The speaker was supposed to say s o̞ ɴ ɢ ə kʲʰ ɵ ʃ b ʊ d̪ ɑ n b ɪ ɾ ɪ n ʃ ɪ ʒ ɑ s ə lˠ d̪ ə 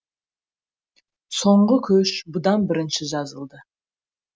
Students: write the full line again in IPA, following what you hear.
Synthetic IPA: s o̞ ɴ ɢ ə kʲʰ ɵ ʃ b ʊ d̪ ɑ n b ɪ ɾ ɪ n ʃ ɪ ʒ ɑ z ə lˠ d̪ ə